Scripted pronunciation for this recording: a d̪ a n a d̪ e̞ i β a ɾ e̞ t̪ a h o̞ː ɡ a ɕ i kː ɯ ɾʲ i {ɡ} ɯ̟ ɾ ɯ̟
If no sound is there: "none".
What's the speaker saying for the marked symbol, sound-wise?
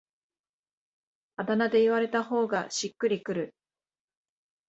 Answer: k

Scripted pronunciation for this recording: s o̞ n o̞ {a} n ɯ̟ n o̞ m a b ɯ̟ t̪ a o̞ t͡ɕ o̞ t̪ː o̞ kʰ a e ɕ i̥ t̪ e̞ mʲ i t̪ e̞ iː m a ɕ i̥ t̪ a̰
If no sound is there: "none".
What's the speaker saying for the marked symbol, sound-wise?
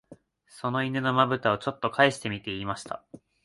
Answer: i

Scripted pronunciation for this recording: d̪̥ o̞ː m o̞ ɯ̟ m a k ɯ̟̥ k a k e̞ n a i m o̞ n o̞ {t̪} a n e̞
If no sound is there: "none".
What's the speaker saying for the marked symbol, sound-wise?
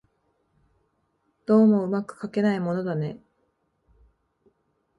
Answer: d̪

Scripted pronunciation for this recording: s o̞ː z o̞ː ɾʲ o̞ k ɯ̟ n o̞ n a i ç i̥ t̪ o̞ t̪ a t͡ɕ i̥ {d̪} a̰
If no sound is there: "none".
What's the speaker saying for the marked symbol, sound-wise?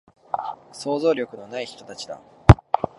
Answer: d̪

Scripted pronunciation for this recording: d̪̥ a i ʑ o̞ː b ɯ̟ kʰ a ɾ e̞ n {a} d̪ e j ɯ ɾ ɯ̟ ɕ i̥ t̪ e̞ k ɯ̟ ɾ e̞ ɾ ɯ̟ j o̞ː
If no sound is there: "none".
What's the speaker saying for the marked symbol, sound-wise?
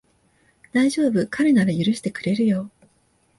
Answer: a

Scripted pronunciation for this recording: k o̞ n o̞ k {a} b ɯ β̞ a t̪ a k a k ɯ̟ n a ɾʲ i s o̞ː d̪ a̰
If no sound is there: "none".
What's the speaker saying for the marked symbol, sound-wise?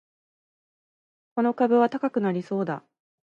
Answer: a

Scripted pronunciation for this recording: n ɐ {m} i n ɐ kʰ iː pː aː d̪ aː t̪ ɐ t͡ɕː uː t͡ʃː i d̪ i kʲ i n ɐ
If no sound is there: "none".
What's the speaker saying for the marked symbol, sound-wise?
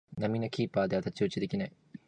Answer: m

